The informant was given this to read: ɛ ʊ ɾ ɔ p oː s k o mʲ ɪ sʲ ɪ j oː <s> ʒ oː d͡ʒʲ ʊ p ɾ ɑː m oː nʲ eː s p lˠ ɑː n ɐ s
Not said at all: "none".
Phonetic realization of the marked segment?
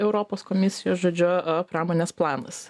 s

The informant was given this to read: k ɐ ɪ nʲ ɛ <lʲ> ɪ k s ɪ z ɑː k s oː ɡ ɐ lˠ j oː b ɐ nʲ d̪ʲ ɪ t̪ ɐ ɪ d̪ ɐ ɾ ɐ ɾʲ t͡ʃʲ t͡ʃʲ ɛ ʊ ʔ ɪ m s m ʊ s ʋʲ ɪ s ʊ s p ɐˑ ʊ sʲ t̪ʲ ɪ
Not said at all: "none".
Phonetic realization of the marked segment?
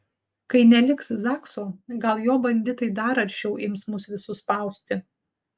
lʲ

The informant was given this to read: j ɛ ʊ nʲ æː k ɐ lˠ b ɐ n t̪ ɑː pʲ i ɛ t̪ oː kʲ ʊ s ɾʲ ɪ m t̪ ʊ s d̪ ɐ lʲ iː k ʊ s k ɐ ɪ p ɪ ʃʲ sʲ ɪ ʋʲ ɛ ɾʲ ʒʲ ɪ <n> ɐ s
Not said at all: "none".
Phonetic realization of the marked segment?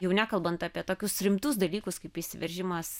m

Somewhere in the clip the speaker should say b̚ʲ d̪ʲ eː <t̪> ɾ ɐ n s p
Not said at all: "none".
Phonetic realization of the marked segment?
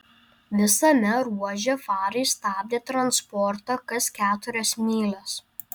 t̪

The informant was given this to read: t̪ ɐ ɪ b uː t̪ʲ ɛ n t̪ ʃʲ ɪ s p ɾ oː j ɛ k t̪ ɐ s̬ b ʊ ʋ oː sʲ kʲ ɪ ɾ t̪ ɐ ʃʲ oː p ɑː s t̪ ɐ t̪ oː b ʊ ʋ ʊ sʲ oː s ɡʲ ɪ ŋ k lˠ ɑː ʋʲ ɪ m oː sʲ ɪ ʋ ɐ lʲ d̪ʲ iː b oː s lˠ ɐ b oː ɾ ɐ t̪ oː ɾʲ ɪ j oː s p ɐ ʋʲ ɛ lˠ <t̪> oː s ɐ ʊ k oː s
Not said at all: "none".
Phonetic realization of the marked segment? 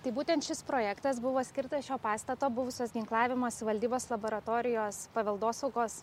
d̪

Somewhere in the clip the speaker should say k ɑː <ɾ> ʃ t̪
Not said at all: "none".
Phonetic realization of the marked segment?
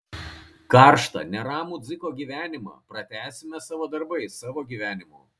ɾ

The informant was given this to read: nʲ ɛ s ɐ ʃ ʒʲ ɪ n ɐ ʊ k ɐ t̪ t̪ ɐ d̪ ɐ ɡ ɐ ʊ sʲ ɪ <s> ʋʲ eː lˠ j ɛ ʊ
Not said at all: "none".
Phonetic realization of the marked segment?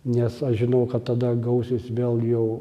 s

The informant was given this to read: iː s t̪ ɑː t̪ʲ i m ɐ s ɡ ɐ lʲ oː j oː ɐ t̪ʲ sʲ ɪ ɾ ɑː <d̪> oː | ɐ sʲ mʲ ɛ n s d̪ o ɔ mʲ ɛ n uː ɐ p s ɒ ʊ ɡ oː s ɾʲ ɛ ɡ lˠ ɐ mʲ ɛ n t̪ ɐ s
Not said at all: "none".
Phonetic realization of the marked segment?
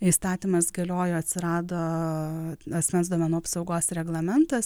d̪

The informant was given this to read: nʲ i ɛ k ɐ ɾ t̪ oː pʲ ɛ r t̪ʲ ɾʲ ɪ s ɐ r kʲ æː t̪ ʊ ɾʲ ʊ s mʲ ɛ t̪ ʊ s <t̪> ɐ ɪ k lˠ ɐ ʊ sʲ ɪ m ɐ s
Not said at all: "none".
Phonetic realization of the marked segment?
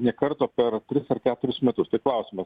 t̪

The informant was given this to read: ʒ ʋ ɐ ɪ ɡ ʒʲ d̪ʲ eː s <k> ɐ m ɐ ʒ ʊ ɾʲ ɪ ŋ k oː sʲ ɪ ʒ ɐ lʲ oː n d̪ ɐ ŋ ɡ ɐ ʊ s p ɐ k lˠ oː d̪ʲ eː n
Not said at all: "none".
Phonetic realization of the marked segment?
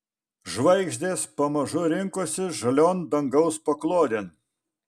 p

